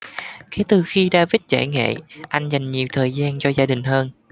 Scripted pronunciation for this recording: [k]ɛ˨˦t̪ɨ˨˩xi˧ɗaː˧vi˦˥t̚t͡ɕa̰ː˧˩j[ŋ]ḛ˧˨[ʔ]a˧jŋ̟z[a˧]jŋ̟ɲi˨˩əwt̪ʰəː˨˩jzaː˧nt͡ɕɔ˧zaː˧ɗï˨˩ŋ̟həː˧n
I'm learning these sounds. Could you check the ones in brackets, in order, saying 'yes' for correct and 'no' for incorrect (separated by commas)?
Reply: yes, yes, yes, no